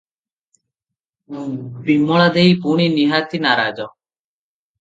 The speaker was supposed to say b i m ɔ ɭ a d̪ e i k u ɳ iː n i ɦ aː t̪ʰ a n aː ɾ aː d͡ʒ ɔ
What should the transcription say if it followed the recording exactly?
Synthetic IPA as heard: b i m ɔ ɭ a d̪ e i p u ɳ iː n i ɦ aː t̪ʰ i n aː ɾ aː d͡ʒ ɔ

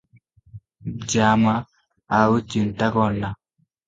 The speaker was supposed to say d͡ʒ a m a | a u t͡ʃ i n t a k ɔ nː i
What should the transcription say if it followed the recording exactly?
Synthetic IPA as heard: d͡ʒ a m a | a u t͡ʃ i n t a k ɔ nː a

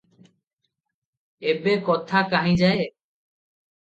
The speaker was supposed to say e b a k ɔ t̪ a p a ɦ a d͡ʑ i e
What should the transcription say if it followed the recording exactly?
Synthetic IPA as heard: e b e k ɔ t̪ʰ a k a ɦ i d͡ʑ a e

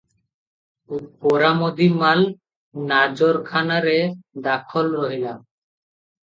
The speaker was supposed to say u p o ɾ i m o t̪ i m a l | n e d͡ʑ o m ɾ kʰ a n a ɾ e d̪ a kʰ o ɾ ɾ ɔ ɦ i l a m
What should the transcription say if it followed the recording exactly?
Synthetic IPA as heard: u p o ɾ a m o d̪ i m a l | n a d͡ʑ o ɾ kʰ a n a ɾ e d̪ a kʰ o l ɾ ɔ ɦ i l a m

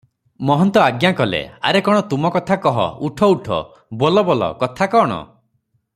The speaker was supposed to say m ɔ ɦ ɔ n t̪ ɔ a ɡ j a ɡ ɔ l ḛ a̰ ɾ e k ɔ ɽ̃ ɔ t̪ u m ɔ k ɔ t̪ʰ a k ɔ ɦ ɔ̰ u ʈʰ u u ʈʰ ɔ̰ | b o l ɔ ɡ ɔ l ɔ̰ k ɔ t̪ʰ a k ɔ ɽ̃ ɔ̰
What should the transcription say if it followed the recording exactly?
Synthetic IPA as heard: m ɔ ɦ ɔ n t̪ ɔ a ɡ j a k ɔ l ḛ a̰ ɾ e k ɔ ɽ̃ ɔ t̪ u m ɔ k ɔ t̪ʰ a k ɔ ɦ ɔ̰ u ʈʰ ɔ u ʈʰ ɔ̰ | b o l ɔ b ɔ l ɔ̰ k ɔ t̪ʰ a k ɔ ɽ̃ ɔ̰

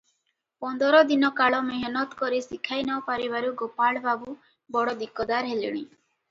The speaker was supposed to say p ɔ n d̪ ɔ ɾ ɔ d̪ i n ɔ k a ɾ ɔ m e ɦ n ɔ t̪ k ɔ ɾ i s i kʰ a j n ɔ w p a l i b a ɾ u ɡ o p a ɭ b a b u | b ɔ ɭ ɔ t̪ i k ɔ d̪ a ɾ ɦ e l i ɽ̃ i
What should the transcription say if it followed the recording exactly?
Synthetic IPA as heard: p ɔ n d̪ ɔ ɾ ɔ d̪ i n ɔ k a ɭ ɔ m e ɦ n ɔ t̪ k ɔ ɾ i s i kʰ a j n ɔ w p a ɾ i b a ɾ u ɡ o p a ɭ b a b u | b ɔ ɽ ɔ d̪ i k ɔ d̪ a ɾ ɦ e l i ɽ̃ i

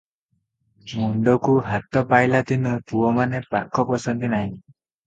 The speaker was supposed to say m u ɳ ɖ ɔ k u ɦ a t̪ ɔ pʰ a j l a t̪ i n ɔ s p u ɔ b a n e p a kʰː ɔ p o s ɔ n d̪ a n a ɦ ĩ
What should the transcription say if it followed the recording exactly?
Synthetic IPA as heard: m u ɳ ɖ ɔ k u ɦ a t̪ ɔ p a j l a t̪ i n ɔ p u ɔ m a n e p a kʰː ɔ p ɔ s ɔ n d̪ i n a ɦ ĩ

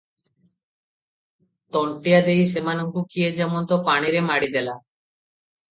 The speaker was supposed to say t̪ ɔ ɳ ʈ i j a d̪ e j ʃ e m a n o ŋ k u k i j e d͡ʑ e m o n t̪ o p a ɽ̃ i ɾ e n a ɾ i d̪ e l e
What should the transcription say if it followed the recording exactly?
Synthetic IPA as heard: t̪ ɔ ɳ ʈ i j a d̪ e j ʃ e m a n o ŋ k u k i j e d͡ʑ ɛ m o n t̪ o p a ɽ̃ i ɾ e m a ɽ i d̪ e l a

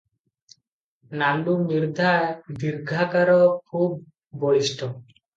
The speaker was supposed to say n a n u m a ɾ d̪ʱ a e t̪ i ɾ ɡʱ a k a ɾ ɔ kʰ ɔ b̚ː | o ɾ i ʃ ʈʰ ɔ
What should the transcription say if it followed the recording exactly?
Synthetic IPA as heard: n a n u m i ɾ d̪ʱ a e d̪ i ɾ ɡʱ a k a ɾ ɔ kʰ u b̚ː | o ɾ i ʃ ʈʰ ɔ

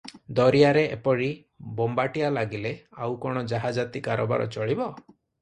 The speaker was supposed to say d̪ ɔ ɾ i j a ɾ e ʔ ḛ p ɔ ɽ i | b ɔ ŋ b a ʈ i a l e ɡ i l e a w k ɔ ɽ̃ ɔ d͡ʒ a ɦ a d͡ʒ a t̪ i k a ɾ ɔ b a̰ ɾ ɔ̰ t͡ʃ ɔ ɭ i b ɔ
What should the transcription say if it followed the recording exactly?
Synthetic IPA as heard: d̪ ɔ ɾ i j a ɾ e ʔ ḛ p ɔ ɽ i | b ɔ m b a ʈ i a l a ɡ i l e a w k ɔ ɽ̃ ɔ d͡ʒ a ɦ a d͡ʒ a t̪ i k a ɾ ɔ b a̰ ɾ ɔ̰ t͡ʃ ɔ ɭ i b ɔ

